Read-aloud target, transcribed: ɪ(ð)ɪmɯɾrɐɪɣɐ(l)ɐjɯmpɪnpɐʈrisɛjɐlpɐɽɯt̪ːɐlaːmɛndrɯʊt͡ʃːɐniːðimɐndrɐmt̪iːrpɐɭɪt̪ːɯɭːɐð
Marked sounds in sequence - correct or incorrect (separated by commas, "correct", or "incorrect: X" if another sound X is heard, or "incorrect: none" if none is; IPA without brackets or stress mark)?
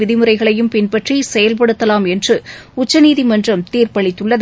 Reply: correct, incorrect: ɭ